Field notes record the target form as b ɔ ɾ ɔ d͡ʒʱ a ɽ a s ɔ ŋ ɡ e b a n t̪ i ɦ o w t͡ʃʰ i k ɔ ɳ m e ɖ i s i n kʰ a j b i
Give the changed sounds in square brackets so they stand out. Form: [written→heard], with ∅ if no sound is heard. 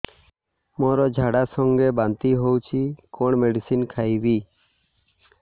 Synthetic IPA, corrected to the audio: [b→m] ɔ ɾ ɔ d͡ʒʱ a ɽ a s ɔ ŋ ɡ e b a n t̪ i ɦ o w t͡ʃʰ i k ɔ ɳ m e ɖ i s i n kʰ a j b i